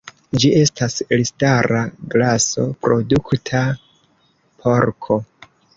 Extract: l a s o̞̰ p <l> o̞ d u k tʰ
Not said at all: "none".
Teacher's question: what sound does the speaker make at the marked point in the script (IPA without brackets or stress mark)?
ɾ